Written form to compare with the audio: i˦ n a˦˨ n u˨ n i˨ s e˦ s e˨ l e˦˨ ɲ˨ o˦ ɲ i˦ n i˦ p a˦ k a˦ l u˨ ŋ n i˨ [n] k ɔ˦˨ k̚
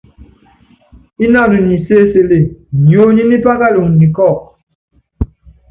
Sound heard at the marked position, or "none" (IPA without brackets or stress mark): none